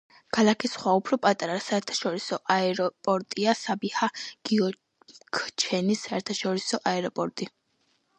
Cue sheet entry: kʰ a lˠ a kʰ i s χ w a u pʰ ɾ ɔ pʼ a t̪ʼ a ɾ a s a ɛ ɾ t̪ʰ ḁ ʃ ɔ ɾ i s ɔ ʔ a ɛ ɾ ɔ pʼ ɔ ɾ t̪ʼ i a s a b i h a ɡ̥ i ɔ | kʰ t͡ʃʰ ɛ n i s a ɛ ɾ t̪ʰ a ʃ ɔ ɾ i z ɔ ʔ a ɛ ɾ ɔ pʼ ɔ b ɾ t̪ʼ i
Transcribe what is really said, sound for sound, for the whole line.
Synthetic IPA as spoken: kʰ a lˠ a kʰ i s χ w a u pʰ ɾ ɔ pʼ a t̪ʼ a ɾ a s a ɛ ɾ t̪ʰ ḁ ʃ ɔ ɾ i s ɔ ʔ a ɛ ɾ ɔ pʼ ɔ ɾ t̪ʼ i a s a b i h a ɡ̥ i ɔ | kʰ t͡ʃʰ ɛ n i s a ɛ ɾ t̪ʰ a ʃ ɔ ɾ i s ɔ ʔ a ɛ ɾ ɔ pʼ ɔ ɾ t̪ʼ i